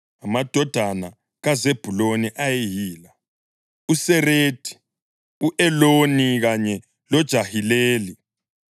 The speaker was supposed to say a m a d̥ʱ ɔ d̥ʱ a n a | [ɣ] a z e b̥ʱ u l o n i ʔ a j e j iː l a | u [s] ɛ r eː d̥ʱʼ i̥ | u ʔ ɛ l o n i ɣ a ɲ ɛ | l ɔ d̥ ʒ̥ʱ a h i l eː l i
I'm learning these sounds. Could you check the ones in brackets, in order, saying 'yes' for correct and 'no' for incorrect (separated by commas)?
yes, yes